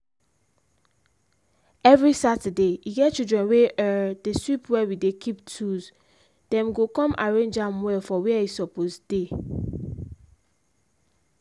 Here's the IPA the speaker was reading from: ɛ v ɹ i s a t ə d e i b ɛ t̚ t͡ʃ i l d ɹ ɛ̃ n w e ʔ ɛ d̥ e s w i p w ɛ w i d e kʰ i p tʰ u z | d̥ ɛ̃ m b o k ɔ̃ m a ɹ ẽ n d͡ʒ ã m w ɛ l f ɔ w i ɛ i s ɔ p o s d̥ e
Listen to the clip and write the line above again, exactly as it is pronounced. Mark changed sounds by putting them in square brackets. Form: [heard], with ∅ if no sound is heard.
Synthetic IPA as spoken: ɛ v ɹ i s a t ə d e i [ɡ] ɛ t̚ t͡ʃ i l d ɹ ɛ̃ n w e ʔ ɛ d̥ e s w i p w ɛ w i d e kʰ i p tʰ u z | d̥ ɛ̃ m [ɡ] o k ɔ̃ m a ɹ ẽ n d͡ʒ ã m w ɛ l f ɔ w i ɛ i s ɔ p o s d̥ e